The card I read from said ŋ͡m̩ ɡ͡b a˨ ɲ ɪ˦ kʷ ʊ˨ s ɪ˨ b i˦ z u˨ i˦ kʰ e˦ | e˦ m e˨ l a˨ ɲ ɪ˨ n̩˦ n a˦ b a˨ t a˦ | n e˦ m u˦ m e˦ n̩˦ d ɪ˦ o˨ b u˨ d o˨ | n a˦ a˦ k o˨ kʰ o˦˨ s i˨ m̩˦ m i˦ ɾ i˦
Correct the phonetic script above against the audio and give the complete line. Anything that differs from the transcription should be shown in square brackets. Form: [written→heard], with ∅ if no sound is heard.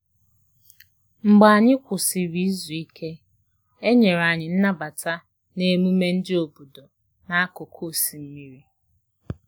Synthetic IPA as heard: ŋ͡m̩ ɡ͡b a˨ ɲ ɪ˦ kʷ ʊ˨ s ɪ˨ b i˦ z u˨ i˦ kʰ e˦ | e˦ [m→ɲ] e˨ [l→ɾ] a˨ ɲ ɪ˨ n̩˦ n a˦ b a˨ t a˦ | n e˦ m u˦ m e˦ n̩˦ d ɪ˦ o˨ b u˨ d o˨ | n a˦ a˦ k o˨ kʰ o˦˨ s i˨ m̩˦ m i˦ ɾ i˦